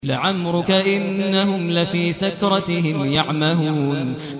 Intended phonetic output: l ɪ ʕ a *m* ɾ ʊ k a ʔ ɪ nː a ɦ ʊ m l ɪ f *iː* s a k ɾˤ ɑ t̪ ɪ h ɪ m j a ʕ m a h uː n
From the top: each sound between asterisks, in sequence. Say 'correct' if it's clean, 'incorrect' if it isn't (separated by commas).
correct, correct